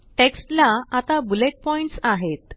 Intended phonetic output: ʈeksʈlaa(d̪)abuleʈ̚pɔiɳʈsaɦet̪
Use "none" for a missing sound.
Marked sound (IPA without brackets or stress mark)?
t̪